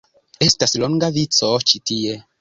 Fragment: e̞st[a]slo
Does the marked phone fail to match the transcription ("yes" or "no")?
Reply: no